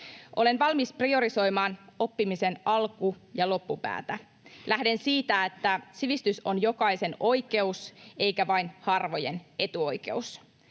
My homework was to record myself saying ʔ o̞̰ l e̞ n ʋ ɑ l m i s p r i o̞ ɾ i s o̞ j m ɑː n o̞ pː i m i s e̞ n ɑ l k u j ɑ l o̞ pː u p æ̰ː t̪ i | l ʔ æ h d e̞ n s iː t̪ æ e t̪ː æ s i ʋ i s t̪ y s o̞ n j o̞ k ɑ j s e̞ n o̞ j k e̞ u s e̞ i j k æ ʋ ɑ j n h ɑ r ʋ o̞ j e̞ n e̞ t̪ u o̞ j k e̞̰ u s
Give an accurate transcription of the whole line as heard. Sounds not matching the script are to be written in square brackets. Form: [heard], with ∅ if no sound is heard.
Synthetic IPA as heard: ʔ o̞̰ l e̞ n ʋ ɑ l m i s p r i o̞ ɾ i s o̞ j m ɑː n o̞ pː i m i s e̞ n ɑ l k u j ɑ l o̞ pː u p æ̰ː t̪ [æ] | l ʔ æ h d e̞ n s iː t̪ æ e t̪ː æ s i ʋ i s t̪ y s o̞ n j o̞ k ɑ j s e̞ n o̞ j k e̞ u s e̞ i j k æ ʋ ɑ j n h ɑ r ʋ o̞ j e̞ n e̞ t̪ u o̞ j k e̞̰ u s